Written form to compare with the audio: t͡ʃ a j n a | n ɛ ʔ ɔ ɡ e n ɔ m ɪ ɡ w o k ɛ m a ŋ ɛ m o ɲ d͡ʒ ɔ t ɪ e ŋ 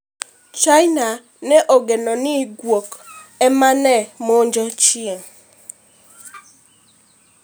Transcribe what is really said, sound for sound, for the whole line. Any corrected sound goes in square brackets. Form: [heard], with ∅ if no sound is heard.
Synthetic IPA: t͡ʃ a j n a | n ɛ ʔ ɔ ɡ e n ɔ [n] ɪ ɡ w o k ɛ m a [n] ɛ m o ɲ d͡ʒ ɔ [t͡ʃ] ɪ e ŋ